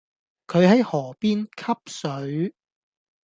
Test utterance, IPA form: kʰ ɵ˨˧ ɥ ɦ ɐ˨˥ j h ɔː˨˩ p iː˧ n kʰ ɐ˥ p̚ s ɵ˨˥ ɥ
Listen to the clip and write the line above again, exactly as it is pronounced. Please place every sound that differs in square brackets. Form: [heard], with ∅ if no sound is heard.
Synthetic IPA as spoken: kʰ ɵ˨˧ ɥ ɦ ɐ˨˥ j h ɔː˨˩ p [iː˥] n kʰ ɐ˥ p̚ s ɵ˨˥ ɥ